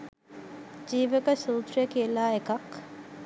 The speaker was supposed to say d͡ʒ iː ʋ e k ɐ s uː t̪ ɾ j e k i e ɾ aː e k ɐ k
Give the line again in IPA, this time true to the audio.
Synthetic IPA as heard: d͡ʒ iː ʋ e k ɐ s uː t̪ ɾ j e k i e l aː e k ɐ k